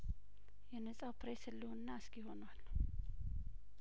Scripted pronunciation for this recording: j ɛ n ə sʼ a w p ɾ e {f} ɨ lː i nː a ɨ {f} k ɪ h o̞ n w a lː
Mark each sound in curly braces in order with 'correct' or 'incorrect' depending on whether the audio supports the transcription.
incorrect: s, incorrect: s

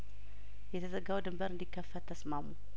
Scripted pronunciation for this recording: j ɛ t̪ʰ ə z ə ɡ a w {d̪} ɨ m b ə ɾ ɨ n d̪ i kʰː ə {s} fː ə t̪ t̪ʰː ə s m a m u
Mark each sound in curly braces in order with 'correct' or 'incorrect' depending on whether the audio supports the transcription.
correct, incorrect: none

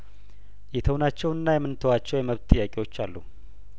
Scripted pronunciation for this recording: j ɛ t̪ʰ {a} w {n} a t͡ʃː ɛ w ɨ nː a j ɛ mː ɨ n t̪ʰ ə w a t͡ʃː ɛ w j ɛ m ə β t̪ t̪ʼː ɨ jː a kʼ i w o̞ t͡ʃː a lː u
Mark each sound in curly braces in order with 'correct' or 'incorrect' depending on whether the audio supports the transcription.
incorrect: ə, correct

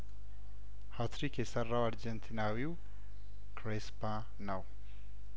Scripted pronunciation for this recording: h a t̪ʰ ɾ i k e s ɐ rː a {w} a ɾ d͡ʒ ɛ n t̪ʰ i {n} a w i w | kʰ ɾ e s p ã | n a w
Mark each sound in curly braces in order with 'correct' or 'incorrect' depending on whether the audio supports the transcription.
correct, correct

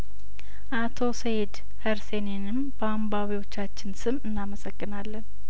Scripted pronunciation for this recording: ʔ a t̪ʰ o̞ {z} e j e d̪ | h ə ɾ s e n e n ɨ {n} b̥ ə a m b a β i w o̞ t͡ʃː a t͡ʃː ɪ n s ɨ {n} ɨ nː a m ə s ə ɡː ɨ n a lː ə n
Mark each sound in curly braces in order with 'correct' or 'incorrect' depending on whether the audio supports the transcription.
incorrect: s, incorrect: m, incorrect: m

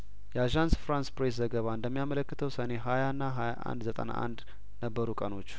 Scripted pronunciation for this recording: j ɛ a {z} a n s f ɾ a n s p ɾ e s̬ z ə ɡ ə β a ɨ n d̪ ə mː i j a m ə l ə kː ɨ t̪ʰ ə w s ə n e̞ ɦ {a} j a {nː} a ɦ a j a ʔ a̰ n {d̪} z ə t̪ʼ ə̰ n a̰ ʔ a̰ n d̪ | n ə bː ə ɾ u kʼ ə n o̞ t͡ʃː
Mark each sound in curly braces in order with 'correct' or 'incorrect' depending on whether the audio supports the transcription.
incorrect: ʒ, correct, correct, correct

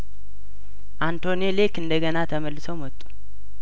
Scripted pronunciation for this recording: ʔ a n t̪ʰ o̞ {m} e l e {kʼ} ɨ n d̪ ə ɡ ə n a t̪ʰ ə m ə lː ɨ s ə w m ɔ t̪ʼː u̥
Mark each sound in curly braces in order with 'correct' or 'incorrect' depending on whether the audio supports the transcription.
incorrect: n, incorrect: k

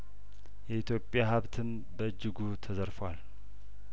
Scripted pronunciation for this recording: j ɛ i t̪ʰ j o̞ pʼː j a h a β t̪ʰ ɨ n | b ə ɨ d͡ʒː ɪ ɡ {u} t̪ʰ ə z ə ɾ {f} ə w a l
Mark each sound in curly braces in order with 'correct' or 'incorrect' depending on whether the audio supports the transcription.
correct, correct

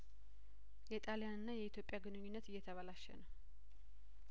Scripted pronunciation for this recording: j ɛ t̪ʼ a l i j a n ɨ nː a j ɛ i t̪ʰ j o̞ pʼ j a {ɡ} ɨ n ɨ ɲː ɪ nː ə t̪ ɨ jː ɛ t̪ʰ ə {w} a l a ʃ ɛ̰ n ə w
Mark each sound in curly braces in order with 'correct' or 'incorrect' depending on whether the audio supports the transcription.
correct, incorrect: β

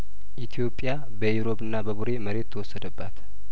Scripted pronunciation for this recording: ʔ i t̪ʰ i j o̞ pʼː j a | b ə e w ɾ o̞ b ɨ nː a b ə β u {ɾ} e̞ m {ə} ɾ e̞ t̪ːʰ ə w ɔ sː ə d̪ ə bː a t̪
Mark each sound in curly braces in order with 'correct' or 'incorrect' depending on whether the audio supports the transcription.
correct, correct

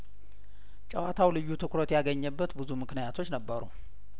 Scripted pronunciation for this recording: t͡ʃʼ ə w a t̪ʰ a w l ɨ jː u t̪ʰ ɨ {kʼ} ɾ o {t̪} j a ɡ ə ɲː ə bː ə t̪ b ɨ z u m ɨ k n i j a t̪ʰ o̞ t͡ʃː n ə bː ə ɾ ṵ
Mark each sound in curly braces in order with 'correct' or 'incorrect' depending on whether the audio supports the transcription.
incorrect: k, correct

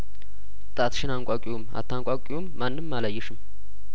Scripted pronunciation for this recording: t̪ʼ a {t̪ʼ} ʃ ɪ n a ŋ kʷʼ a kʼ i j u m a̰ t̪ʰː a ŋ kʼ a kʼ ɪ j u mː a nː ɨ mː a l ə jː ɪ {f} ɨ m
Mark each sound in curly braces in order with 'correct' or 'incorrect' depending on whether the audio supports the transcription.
incorrect: t̪, incorrect: ʃ

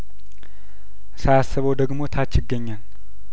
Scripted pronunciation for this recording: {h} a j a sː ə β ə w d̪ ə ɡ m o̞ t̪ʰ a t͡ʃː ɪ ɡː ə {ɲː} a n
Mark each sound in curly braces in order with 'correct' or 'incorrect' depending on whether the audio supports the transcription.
incorrect: s, correct

